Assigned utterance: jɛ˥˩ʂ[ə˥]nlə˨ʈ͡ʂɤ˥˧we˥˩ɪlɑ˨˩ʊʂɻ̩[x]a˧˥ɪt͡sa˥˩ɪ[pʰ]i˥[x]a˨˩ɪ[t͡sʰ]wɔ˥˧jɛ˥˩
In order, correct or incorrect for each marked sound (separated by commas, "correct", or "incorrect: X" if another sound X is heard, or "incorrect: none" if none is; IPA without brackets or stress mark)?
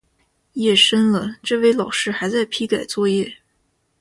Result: correct, correct, correct, incorrect: k, incorrect: t͡s